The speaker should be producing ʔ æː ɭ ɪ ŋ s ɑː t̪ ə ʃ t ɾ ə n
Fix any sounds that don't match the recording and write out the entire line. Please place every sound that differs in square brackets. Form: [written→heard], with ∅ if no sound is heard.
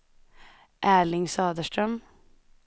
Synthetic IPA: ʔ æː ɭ ɪ ŋ s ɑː [t̪→d̪] ə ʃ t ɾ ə [n→m]